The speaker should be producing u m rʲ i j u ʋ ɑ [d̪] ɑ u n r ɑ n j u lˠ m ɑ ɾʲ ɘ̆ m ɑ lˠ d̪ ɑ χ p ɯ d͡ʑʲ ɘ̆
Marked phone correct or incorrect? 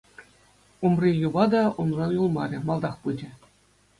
correct